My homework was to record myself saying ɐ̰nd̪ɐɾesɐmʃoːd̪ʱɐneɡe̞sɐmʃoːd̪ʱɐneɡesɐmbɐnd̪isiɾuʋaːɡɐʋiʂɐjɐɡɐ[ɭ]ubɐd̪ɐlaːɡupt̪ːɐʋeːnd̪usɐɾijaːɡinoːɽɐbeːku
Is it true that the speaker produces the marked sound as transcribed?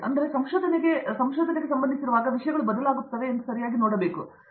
yes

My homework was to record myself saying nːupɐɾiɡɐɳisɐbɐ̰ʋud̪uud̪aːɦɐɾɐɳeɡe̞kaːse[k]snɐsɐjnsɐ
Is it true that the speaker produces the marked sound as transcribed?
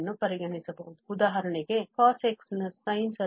yes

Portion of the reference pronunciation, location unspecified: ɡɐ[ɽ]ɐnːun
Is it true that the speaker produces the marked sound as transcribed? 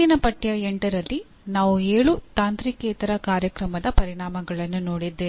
no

